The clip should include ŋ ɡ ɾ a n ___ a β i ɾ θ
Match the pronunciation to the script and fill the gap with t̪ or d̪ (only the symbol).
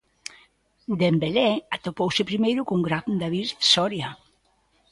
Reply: d̪